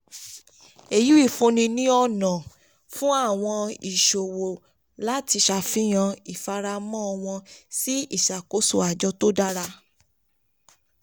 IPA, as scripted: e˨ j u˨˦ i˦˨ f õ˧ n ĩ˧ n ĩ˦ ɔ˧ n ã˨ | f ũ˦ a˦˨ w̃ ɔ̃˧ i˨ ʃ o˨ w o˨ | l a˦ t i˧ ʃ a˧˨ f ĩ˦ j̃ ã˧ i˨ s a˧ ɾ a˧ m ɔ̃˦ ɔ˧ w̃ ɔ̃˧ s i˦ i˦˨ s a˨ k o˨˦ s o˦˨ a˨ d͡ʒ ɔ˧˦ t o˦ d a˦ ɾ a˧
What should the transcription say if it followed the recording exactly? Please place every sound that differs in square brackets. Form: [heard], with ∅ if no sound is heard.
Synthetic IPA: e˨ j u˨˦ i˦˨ f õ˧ n ĩ˧ n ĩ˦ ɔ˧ n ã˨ | f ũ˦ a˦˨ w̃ ɔ̃˧ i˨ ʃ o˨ w o˨ | l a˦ t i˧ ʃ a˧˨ f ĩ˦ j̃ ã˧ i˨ [f] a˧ ɾ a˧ m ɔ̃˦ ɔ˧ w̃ ɔ̃˧ s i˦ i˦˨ [ʃ] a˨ k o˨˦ s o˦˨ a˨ d͡ʒ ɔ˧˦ t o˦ d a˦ ɾ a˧